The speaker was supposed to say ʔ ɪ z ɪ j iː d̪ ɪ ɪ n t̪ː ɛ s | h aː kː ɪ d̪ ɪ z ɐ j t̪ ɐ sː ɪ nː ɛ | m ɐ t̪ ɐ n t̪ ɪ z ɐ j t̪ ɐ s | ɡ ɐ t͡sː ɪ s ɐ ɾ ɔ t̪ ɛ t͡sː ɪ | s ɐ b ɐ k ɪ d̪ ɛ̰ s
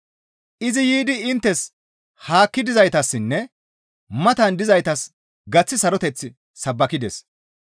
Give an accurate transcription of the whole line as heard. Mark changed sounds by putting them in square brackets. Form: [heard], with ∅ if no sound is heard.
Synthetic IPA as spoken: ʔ ɪ z ɪ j iː d̪ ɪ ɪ n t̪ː ɛ s | h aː kː ɪ d̪ ɪ z ɐ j t̪ ɐ sː ɪ nː ɛ | m ɐ t̪ ɐ n [d̪] ɪ z ɐ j t̪ ɐ s | ɡ ɐ t͡sː ɪ s ɐ ɾ ɔ t̪ ɛ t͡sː ɪ | s ɐ [bː] ɐ k ɪ d̪ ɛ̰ s

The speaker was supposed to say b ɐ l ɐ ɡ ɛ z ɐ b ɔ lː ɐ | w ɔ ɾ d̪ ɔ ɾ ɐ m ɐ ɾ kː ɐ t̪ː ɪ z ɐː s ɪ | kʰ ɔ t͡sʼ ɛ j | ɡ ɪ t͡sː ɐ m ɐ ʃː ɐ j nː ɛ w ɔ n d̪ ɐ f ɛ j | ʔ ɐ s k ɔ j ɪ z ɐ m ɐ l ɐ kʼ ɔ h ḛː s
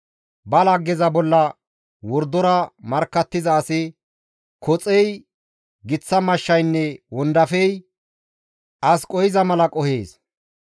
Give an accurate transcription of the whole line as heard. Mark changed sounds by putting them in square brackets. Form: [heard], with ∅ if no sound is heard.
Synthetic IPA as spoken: b ɐ l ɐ ɡ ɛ z ɐ b ɔ lː ɐ | w ɔ ɾ d̪ ɔ ɾ ɐ m ɐ ɾ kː ɐ t̪ː ɪ z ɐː s ɪ | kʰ ɔ t͡sʼ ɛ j | ɡ ɪ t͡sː ɐ m ɐ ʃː ɐ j nː ɛ w ɔ n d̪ ɐ f ɛ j | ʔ ɐ s [kʼ] ɔ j ɪ z ɐ m ɐ l ɐ kʼ ɔ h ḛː s

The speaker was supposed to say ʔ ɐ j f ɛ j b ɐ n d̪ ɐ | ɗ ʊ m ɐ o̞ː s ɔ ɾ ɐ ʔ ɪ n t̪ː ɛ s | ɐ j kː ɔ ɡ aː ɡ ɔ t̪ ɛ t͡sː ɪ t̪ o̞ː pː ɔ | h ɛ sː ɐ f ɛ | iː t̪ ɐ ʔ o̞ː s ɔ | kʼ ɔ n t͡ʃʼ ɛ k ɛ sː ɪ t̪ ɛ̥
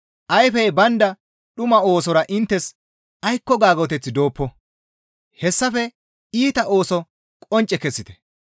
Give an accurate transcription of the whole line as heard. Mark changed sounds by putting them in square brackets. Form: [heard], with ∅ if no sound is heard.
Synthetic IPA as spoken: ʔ ɐ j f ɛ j b ɐ n d̪ ɐ | ɗ ʊ m ɐ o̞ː s ɔ ɾ ɐ ʔ ɪ n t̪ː ɛ s | ɐ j kː ɔ ɡ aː ɡ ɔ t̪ ɛ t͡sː ɪ [d̪] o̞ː pː ɔ | h ɛ sː ɐ f ɛ | iː t̪ ɐ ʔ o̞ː s ɔ | kʼ ɔ n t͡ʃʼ ɛ k ɛ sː ɪ t̪ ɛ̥

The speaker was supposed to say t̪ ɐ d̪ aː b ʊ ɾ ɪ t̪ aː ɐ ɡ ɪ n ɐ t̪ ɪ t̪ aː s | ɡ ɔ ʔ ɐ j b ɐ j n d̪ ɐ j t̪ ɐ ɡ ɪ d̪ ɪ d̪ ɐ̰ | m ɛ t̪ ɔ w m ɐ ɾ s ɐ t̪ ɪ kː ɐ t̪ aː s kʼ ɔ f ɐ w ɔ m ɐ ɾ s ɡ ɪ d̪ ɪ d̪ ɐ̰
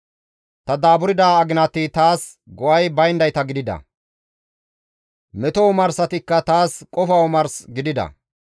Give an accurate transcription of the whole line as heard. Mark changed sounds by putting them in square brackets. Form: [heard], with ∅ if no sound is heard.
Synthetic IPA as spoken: t̪ ɐ d̪ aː b ʊ ɾ ɪ [d̪] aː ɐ ɡ ɪ n ɐ t̪ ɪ t̪ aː s | ɡ ɔ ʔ ɐ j b ɐ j n d̪ ɐ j t̪ ɐ ɡ ɪ d̪ ɪ d̪ ɐ̰ | m ɛ t̪ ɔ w m ɐ ɾ s ɐ t̪ ɪ kː ɐ t̪ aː s kʼ ɔ f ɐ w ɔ m ɐ ɾ s ɡ ɪ d̪ ɪ d̪ ɐ̰

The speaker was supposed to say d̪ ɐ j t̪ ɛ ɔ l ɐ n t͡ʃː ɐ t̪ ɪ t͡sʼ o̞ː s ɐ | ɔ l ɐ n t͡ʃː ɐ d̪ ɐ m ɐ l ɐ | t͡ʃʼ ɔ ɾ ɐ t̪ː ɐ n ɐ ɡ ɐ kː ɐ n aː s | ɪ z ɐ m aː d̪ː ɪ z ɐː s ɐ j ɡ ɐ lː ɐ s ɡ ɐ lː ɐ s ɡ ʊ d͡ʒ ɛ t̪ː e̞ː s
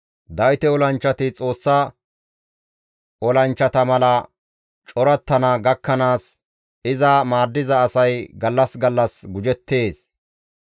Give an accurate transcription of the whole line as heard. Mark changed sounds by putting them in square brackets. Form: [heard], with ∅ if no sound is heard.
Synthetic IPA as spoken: d̪ ɐ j t̪ ɛ ɔ l ɐ n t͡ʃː ɐ t̪ ɪ t͡sʼ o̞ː [sː] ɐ | ɔ l ɐ n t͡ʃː ɐ [t̪] ɐ m ɐ l ɐ | t͡ʃʼ ɔ ɾ ɐ t̪ː ɐ n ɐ ɡ ɐ kː ɐ n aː s | ɪ z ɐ m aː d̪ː ɪ z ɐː s ɐ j ɡ ɐ lː ɐ s ɡ ɐ lː ɐ s ɡ ʊ d͡ʒ ɛ t̪ː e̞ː s

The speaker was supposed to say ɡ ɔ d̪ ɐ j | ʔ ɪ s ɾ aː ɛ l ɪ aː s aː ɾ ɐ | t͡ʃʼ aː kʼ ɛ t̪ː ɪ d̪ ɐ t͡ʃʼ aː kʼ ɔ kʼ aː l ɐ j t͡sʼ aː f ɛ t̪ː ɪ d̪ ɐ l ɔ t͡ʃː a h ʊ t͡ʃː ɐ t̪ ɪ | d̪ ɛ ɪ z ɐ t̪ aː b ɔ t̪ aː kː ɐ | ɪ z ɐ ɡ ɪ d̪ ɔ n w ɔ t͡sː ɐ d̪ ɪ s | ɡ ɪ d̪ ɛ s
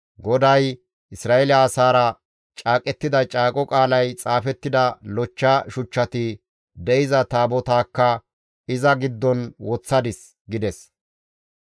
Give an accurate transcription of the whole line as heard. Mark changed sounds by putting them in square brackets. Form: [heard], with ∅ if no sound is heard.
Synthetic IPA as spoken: ɡ ɔ d̪ ɐ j | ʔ ɪ s ɾ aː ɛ l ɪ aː s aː ɾ ɐ | t͡ʃʼ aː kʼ ɛ t̪ː ɪ d̪ ɐ t͡ʃʼ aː kʼ ɔ kʼ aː l ɐ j t͡sʼ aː f ɛ t̪ː ɪ d̪ ɐ l ɔ t͡ʃː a [ʃ] ʊ t͡ʃː ɐ t̪ ɪ | d̪ ɛ ɪ z ɐ t̪ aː b ɔ t̪ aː kː ɐ | ɪ z ɐ ɡ ɪ [d̪ː] ɔ n w ɔ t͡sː ɐ d̪ ɪ s | ɡ ɪ d̪ ɛ s

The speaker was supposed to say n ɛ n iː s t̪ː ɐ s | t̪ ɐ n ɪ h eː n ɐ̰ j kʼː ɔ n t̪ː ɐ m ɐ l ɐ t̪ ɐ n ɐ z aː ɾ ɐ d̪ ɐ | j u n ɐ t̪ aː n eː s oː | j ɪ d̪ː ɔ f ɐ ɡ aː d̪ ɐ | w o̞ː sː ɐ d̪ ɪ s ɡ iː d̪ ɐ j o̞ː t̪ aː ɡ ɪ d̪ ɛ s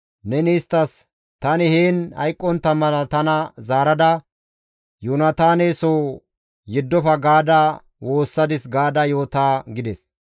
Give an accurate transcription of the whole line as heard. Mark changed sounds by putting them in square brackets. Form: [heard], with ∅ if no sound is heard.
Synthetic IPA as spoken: n ɛ n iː s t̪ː ɐ s | t̪ ɐ n ɪ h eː n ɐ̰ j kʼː ɔ n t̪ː ɐ m ɐ l ɐ t̪ ɐ n ɐ z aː ɾ ɐ d̪ ɐ | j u n ɐ t̪ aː n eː s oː | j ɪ d̪ː ɔ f ɐ ɡ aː d̪ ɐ | w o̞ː sː ɐ d̪ ɪ s ɡ [aː] d̪ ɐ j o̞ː t̪ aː ɡ ɪ d̪ ɛ s

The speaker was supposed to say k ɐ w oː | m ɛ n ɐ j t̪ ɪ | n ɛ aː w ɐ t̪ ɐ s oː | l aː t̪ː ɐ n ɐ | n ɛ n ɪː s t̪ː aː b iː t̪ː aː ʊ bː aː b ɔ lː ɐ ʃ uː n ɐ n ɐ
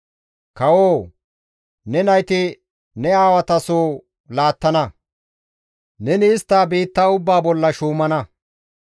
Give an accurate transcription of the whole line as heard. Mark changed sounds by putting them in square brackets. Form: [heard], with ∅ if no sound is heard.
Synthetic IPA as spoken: k ɐ w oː | [n] ɛ n ɐ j t̪ ɪ | n ɛ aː w ɐ t̪ ɐ s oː | l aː t̪ː ɐ n ɐ | n ɛ n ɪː s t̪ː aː b iː t̪ː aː ʊ bː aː b ɔ lː ɐ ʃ uː [m] ɐ n ɐ

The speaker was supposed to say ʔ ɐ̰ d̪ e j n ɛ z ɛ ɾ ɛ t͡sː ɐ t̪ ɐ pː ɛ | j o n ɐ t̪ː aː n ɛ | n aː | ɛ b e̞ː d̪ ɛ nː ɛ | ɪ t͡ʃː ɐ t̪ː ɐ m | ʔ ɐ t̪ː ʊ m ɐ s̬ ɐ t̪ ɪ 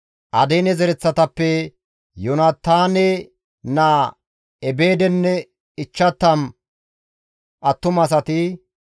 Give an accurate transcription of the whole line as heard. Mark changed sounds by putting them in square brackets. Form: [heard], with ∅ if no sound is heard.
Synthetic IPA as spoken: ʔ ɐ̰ d̪ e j n ɛ z ɛ ɾ ɛ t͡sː ɐ t̪ ɐ pː ɛ | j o n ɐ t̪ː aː n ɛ | n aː | ɛ b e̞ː d̪ ɛ nː ɛ | ɪ t͡ʃː ɐ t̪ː ɐ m | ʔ ɐ t̪ː ʊ m ɐ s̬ ɐ t̪ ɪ

